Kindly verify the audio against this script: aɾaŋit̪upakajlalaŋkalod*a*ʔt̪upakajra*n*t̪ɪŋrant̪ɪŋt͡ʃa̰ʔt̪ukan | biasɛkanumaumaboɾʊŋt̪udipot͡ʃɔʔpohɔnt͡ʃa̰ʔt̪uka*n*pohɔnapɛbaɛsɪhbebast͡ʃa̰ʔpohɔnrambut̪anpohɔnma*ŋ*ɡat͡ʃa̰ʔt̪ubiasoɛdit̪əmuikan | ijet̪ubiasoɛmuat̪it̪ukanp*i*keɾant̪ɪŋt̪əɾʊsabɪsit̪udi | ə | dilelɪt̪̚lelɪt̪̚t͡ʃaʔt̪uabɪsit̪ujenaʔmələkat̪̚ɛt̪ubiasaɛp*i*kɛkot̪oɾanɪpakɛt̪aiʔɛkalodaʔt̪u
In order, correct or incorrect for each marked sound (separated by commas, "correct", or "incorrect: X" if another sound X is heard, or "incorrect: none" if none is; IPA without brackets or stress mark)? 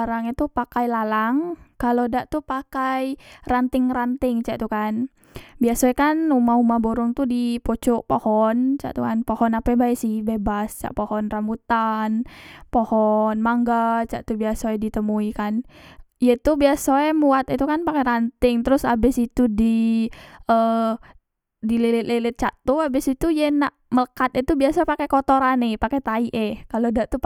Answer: correct, correct, correct, correct, incorrect: a, incorrect: a